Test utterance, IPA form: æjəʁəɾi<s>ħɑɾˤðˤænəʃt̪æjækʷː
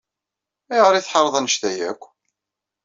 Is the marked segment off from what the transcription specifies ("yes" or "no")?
yes